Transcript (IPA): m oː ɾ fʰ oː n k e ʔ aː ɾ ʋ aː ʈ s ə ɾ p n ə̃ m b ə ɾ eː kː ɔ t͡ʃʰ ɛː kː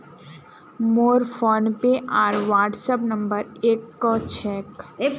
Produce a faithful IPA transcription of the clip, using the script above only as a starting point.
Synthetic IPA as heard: m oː ɾ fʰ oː n p e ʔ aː ɾ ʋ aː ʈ s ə p n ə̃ m b ə ɾ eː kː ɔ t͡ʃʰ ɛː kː

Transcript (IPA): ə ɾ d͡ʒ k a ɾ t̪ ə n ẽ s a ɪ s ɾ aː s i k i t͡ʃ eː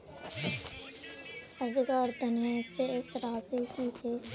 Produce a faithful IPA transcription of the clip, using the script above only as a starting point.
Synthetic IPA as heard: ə ɾ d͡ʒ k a ɾ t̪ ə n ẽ s e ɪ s ɾ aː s i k i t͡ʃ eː

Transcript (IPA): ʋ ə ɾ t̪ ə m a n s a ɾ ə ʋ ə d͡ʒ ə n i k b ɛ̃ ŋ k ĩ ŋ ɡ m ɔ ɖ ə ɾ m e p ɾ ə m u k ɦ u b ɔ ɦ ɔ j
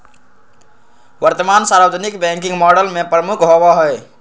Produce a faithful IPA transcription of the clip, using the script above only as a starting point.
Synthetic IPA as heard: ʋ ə ɾ t̪ ə m a n s a ɾ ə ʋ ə d͡ʒ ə n i k b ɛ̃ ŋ k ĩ ŋ ɡ m ɔ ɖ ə l m e p ɾ ə m u k ɦ o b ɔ ɦ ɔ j

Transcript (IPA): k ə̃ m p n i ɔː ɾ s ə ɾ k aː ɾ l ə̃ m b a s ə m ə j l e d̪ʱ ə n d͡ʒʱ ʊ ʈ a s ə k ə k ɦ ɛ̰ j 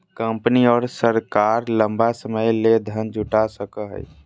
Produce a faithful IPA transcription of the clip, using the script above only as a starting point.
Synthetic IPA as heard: k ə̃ m p n i ɔː ɾ s ə ɾ k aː ɾ l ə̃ m b a s ə m ə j l e d̪ʱ ə n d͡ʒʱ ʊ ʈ a s ə k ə ɦ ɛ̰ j

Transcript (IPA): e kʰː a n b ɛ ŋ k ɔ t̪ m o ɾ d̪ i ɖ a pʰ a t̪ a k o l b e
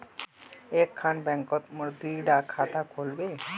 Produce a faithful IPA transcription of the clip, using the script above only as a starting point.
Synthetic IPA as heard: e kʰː a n b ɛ ŋ k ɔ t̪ m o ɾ d̪ i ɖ a kʰ a t̪ a k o l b e

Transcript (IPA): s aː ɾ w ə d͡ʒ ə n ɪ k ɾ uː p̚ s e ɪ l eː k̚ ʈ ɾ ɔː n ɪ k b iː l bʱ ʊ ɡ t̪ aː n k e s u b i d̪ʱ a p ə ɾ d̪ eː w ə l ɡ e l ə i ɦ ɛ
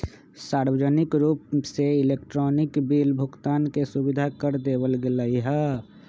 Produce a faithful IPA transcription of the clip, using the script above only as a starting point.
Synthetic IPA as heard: s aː ɾ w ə d͡ʒ ə n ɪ k ɾ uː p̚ s e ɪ l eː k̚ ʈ ɾ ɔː n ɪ k b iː l bʱ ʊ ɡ t̪ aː n k e s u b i d̪ʱ a k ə ɾ d̪ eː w ə l ɡ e l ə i ɦ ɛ

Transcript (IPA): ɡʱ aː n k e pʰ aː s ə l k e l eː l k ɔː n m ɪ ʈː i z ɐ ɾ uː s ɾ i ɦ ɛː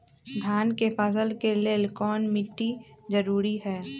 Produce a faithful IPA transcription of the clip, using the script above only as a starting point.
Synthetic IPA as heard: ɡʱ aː n k e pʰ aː s ə l k e l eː l k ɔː n m ɪ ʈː i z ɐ ɾ uː ɾ i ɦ ɛː

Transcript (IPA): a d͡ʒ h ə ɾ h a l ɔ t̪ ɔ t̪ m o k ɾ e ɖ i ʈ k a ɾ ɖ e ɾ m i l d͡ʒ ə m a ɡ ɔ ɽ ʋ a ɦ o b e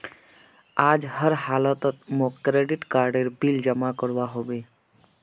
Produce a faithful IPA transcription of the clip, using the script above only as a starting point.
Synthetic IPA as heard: a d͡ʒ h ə ɾ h a l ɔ t̪ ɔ t̪ m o k ɾ e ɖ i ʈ k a ɾ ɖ e ɾ b i l d͡ʒ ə m a k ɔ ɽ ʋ a ɦ o b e

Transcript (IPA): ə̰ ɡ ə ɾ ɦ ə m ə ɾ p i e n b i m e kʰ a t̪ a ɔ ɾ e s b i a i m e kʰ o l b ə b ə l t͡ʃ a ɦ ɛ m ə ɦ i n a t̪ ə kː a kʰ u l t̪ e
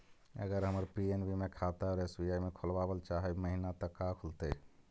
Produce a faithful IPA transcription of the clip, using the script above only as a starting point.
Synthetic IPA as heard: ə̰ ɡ ə ɾ ɦ ə m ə ɾ p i e n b i m e kʰ a t̪ a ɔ ɾ e s b i a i m e kʰ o l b a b ə l t͡ʃ a ɦ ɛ m ə ɦ i n a t̪ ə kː a kʰ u l t̪ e

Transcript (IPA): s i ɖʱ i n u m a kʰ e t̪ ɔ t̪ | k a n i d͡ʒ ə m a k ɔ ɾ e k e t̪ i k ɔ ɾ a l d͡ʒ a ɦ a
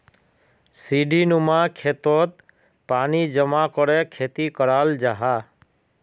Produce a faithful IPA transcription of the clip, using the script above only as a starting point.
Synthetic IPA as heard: s i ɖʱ i n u m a kʰ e t̪ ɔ t̪ | p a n i d͡ʒ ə m a k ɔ ɾ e kʰ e t̪ i k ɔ ɾ a l d͡ʒ a ɦ a

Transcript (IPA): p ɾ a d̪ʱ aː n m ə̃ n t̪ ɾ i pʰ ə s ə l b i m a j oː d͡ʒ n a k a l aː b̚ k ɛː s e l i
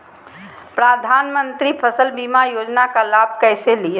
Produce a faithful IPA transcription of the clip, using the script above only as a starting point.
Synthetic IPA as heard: p ɾ a d̪ʱ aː n m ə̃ n t̪ ɾ i pʰ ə s ə l b i m a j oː d͡ʒ n a k a l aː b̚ k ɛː s e l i

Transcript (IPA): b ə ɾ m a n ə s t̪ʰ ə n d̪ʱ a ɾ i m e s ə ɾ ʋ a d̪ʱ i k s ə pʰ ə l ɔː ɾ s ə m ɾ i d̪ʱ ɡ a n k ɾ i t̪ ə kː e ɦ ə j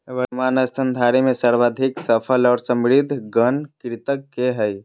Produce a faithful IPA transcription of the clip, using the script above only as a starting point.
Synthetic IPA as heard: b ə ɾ m a n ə s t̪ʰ ə n d̪ʱ a ɾ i m e s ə ɾ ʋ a d̪ʱ i k s ə pʰ ə l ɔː ɾ s ə m ɾ i d̪ʱ ɡ ə n k ɾ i t̪ ə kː e ɦ ə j

